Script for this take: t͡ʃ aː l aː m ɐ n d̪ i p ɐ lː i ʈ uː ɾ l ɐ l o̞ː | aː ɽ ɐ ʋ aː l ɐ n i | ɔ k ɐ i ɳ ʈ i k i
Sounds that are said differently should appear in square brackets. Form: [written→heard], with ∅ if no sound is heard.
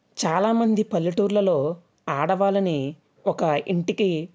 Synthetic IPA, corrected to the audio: t͡ʃ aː l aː m ɐ n d̪ i p ɐ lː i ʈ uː ɾ l ɐ l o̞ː | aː ɽ ɐ ʋ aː l ɐ n i | ɔ k ɐ i ɳ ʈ i k i